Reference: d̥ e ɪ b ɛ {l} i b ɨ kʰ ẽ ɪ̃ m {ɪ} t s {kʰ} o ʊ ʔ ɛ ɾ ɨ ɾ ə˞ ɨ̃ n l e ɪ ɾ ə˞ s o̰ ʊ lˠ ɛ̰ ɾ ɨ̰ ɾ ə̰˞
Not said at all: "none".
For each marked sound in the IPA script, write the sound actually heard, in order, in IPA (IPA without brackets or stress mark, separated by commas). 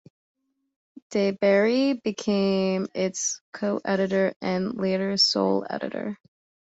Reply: ɹ, ɪ, kʰ